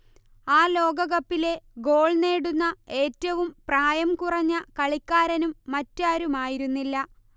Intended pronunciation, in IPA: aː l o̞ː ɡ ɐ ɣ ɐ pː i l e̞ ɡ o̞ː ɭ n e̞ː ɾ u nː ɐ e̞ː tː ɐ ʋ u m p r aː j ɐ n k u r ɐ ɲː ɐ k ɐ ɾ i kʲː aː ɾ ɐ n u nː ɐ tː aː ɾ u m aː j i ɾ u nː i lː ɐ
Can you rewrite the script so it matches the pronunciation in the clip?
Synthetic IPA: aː l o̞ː ɡ ɐ ɣ ɐ pː i l e̞ ɡ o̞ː ɭ n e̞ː ɽ u nː ɐ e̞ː tː ɐ ʋ u m p r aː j ɐ m k u r ɐ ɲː ɐ k ɐ ɭ i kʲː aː ɾ ɐ n u mː ɐ tː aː ɾ u m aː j i ɾ u nː i lː ɐ